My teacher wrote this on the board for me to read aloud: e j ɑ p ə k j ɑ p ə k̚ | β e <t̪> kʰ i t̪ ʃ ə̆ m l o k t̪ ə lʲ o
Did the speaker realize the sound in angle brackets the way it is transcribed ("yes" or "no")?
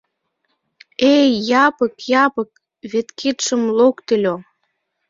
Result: yes